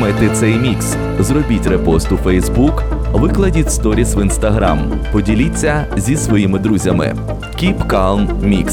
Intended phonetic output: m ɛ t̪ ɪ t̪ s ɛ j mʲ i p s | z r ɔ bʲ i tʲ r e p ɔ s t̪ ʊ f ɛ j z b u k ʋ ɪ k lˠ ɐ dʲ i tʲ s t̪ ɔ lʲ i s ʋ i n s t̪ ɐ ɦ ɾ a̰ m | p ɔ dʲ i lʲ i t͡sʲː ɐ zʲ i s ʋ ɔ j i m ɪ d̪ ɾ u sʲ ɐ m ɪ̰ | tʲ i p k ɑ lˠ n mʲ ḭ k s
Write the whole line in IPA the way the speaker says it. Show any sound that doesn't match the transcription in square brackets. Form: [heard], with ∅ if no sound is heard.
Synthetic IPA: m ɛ t̪ ɪ t̪ s ɛ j mʲ i [k] s | z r ɔ bʲ i tʲ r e p ɔ s t̪ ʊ f ɛ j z b u k ʋ ɪ k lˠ ɐ dʲ i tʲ s t̪ ɔ [ɾʲ] i s ʋ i n s t̪ ɐ ɦ ɾ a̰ m | p ɔ dʲ i lʲ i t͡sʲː ɐ zʲ i s ʋ ɔ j i m ɪ d̪ ɾ u [zʲ] ɐ m ɪ̰ | [kʲ] i p k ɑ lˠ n mʲ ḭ k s